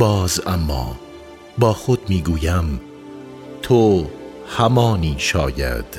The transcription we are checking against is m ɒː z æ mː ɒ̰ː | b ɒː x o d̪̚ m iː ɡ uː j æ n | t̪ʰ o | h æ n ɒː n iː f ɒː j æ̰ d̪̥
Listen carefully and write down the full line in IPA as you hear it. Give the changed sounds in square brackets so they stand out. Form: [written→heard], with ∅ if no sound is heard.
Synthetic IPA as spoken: [m→b] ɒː z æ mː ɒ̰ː | b ɒː x o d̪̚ m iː ɡ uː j æ [n→m] | t̪ʰ o | h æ [n→m] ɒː n iː [f→ʃ] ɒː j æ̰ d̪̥